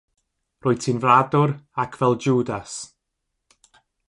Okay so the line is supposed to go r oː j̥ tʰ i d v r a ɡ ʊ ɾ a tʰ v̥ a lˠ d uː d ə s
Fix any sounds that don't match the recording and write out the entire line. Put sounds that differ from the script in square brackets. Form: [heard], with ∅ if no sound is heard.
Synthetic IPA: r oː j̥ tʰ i [n] v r a [d] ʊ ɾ a [kʰ] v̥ [ɛ] lˠ [d͡ʒ] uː d [a] s